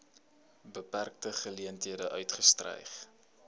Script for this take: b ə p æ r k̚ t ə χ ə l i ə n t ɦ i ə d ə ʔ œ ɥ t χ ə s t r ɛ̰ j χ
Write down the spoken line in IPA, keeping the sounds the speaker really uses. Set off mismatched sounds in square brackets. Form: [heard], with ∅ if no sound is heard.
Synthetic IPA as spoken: b ə p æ r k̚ t ə χ ə l i ə n t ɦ i ə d ə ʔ œ ɥ t χ ə s t r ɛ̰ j χ